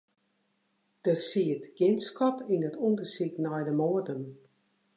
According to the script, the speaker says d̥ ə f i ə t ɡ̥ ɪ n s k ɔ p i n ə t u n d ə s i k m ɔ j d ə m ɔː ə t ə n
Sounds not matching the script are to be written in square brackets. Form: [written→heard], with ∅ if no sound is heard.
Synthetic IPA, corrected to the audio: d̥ ə [f→s] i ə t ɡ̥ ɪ n s k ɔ p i n ə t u n d ə s i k [m→n] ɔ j d ə m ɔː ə [t→d] ə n